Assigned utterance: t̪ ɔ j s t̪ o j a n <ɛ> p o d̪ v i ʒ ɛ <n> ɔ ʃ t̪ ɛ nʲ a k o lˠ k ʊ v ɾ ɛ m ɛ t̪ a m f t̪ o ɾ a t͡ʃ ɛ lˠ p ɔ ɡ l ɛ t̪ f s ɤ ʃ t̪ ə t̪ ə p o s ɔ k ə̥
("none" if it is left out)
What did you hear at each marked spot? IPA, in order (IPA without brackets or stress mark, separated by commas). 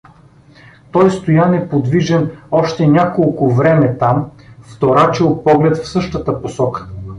ɛ, n